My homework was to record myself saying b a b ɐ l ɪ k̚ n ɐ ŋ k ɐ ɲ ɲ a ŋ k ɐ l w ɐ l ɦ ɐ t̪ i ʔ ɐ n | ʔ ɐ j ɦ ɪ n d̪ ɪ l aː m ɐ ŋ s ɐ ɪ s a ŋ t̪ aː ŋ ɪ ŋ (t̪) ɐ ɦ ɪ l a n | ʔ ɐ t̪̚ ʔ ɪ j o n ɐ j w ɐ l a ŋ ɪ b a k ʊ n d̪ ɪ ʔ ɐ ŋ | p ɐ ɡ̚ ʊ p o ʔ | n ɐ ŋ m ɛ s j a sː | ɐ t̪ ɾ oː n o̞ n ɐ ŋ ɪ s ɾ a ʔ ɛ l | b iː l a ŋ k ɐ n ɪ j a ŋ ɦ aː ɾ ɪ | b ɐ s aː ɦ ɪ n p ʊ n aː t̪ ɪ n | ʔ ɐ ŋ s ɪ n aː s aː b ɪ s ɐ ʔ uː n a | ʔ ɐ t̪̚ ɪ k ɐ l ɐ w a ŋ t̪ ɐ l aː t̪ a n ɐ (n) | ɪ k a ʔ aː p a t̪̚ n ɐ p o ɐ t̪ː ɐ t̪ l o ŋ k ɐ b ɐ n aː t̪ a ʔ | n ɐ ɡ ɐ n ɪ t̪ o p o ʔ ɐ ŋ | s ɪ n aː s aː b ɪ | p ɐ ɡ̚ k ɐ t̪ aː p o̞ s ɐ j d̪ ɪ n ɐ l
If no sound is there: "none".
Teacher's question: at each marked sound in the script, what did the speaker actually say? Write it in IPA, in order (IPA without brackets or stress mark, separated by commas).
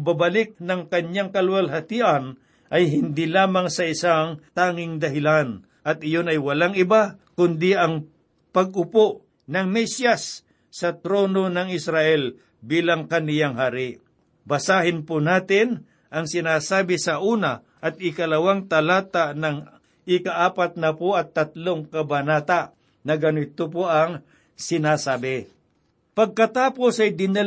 d̪, ŋ